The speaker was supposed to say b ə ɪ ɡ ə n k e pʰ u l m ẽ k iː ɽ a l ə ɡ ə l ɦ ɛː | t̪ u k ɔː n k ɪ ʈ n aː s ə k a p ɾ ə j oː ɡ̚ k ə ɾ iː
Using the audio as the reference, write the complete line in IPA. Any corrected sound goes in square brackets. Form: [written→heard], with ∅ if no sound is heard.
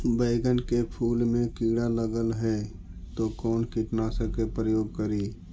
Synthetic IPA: b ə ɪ ɡ ə n k e pʰ [u→uː] l m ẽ k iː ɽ a l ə ɡ ə l ɦ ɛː | t̪ [u→o] k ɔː n k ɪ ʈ n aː s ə k [a→e] p ɾ ə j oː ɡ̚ k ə ɾ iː